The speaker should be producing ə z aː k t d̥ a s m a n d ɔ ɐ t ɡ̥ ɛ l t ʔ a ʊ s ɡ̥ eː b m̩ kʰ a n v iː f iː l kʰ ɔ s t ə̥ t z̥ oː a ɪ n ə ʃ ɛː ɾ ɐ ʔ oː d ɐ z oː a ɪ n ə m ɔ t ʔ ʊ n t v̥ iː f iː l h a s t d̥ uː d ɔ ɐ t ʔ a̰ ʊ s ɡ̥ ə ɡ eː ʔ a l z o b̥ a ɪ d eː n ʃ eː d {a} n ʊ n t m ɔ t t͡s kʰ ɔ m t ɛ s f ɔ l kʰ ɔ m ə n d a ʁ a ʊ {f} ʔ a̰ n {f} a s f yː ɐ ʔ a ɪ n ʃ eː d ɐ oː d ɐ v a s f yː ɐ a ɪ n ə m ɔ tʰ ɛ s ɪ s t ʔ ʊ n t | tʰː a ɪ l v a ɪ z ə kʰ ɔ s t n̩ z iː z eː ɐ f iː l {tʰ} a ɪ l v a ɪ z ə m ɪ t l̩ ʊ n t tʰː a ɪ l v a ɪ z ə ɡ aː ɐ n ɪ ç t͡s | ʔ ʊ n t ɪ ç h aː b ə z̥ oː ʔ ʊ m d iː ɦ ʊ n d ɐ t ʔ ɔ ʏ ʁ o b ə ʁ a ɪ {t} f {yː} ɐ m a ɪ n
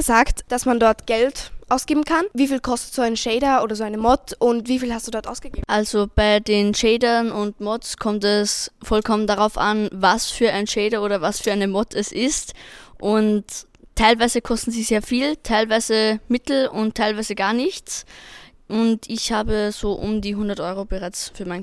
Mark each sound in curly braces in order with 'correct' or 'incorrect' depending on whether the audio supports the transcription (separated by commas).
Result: incorrect, correct, incorrect, correct, incorrect, correct